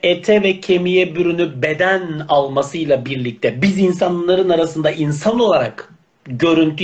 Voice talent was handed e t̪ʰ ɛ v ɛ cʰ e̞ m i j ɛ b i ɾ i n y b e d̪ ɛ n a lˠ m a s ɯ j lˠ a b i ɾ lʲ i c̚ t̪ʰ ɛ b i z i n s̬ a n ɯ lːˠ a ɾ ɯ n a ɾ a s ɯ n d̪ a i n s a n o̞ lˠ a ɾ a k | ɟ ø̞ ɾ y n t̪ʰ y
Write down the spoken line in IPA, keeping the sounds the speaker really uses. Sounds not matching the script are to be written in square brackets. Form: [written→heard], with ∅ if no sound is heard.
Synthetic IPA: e t̪ʰ ɛ v ɛ cʰ e̞ m i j ɛ b [i→y] ɾ [i→y] n y b e d̪ [ɛ→æ] n a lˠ m a s ɯ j lˠ a b i ɾ lʲ i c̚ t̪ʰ ɛ b i z i n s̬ a n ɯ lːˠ a ɾ ɯ n a ɾ a s ɯ n d̪ a i n s a n o̞ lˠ a ɾ a k | ɟ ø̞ ɾ y n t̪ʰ y